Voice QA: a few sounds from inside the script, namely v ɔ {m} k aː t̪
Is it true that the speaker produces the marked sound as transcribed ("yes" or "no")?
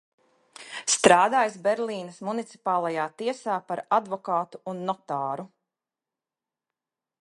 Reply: no